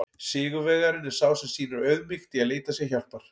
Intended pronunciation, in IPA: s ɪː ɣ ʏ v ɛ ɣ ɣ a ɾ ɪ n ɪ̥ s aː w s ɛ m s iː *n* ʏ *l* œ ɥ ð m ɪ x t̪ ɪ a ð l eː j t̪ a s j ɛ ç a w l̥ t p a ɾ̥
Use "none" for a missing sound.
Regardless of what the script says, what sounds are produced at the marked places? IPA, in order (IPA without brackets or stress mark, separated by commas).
n, ɾ